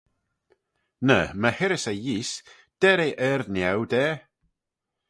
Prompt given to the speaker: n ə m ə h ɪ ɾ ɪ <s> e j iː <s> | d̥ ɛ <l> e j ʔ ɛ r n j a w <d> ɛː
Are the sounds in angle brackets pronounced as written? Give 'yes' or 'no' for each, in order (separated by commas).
yes, yes, no, yes